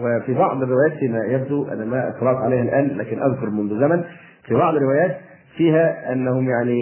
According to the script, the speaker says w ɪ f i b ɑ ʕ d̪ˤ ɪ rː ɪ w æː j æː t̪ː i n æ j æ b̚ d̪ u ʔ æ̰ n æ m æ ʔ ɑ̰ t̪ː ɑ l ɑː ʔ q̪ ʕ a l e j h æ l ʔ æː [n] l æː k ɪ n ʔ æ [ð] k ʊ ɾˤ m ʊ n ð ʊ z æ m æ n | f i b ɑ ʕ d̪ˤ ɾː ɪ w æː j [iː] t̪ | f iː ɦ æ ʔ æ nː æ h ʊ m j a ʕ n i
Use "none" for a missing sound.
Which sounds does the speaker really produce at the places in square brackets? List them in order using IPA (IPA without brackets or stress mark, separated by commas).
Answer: n, ð, æː